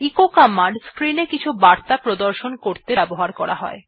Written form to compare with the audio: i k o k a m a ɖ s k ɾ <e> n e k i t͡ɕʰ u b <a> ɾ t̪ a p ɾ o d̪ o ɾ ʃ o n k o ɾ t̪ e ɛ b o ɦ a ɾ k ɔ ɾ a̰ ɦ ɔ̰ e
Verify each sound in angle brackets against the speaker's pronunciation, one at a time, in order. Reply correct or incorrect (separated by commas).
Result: incorrect, correct